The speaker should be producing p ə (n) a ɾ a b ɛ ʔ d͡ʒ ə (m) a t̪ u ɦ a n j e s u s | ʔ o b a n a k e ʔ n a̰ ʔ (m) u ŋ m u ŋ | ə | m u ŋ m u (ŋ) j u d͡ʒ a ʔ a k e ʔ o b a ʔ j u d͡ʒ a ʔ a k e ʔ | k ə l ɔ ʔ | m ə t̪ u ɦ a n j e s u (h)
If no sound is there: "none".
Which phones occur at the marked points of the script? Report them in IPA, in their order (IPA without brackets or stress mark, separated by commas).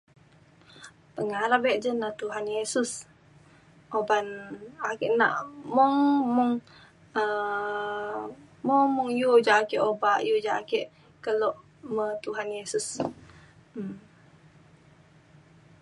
ŋ, n, m, ŋ, s